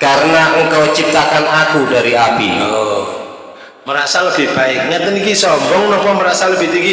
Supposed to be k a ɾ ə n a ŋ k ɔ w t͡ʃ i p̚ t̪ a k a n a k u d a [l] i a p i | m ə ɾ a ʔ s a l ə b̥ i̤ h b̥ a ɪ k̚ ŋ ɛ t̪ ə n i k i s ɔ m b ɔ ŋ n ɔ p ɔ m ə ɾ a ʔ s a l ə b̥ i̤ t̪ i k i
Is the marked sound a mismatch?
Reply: yes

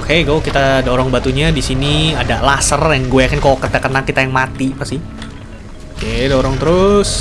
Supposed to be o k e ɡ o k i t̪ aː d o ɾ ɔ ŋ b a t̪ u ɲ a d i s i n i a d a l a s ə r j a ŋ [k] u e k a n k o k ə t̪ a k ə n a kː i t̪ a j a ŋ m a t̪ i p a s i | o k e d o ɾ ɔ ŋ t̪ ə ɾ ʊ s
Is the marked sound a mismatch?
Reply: yes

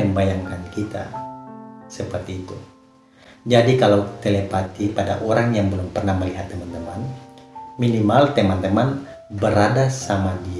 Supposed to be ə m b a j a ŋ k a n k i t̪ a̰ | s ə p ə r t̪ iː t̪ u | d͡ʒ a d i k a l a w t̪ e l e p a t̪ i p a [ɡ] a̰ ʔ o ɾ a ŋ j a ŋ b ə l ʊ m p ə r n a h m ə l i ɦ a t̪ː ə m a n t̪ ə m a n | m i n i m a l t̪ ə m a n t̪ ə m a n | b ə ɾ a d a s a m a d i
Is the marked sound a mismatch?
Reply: yes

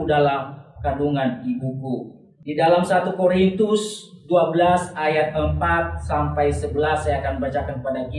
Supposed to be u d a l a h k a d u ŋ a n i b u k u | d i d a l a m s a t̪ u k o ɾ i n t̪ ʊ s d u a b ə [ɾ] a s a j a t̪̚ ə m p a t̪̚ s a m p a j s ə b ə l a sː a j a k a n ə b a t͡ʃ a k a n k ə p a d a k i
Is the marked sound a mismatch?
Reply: yes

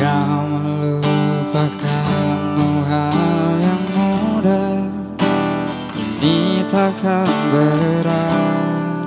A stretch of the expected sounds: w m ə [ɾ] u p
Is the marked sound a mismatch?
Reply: yes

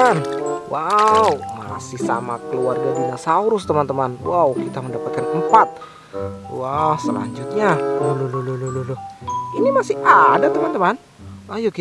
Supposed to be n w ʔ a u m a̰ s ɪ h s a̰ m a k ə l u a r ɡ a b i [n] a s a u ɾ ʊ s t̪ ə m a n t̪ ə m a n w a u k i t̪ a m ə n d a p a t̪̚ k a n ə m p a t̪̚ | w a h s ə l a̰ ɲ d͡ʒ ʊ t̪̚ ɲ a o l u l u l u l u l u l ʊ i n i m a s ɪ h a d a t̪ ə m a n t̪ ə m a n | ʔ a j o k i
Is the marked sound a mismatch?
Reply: no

